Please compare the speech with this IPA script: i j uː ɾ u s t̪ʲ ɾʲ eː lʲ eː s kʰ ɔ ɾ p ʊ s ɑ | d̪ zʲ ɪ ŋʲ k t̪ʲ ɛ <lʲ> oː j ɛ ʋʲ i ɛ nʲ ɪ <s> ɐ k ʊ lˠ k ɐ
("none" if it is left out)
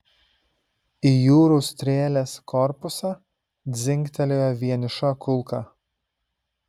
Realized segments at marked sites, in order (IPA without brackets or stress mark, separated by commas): lʲ, ʃ